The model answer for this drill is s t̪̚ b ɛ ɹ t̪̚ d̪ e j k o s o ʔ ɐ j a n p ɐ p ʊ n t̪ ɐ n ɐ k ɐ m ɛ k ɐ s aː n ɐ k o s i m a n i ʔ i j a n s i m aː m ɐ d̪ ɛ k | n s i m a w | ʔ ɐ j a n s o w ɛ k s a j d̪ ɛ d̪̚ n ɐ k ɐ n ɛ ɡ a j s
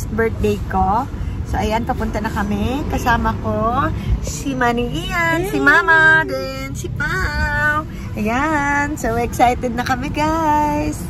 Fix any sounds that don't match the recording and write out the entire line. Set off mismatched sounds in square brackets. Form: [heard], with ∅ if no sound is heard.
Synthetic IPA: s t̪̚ b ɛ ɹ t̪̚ d̪ e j k o s o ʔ ɐ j a n p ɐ p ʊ n t̪ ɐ n ɐ k ɐ m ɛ k ɐ s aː [m] ɐ k o s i m a n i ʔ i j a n s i m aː m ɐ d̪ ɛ [∅] | n s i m a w | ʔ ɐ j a n s o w ɛ k s a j [t̪] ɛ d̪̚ n ɐ k ɐ [m] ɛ ɡ a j s